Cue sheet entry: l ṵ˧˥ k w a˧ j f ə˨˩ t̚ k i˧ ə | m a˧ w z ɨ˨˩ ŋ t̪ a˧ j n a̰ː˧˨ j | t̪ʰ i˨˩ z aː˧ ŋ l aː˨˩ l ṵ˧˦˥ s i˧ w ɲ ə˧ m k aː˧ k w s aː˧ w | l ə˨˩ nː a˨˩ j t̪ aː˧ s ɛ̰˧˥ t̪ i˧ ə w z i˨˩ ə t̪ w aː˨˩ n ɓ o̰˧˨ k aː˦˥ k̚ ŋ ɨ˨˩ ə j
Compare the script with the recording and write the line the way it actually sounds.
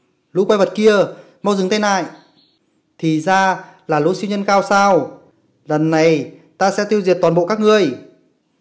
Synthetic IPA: l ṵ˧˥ k w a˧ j v ə˨˩ t̚ k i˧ ə | m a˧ w z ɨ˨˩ ŋ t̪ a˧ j n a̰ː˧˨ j | t̪ʰ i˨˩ z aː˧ l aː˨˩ l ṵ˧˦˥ s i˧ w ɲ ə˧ n k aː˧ w s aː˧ w | l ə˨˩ nː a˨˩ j t̪ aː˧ s ɛ̰˧˥ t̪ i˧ ə w z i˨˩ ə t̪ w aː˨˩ n ɓ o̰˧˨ k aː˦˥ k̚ ŋ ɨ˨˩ ə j